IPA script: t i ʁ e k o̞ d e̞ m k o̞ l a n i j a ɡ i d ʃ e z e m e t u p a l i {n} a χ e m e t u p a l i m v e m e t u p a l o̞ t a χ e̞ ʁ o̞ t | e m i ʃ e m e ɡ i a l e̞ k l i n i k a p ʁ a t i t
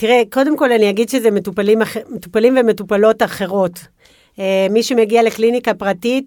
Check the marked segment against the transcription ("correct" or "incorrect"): incorrect